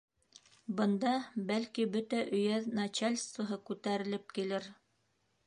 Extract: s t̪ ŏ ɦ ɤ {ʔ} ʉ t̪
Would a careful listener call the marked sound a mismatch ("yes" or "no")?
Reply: yes